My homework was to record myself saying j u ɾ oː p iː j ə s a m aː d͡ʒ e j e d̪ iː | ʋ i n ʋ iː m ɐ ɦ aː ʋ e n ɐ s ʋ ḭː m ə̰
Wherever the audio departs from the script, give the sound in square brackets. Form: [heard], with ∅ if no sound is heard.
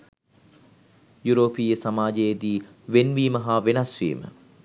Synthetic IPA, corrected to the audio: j u ɾ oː p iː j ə s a m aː d͡ʒ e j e d̪ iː | ʋ [e] n ʋ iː m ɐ ɦ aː ʋ e n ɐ s ʋ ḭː m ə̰